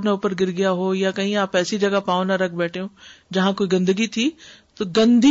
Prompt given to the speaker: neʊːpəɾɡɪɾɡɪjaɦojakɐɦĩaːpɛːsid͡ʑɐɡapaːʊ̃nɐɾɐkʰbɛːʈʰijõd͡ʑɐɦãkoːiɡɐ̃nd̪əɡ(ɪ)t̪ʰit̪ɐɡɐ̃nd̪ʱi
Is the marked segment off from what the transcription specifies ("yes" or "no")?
yes